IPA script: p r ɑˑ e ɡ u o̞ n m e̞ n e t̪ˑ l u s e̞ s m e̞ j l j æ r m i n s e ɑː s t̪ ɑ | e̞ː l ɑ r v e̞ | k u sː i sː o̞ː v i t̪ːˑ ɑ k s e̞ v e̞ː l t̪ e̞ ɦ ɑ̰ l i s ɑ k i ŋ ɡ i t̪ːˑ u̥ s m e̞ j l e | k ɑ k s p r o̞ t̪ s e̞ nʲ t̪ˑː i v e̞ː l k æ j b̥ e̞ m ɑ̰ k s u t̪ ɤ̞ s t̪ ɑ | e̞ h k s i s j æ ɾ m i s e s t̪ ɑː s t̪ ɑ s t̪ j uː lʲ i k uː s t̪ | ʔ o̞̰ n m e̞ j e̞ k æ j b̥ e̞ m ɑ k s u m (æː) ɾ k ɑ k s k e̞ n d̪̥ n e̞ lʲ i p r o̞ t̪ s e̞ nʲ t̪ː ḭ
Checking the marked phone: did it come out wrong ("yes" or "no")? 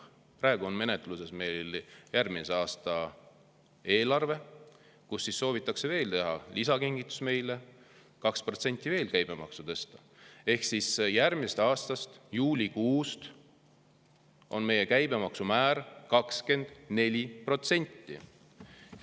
no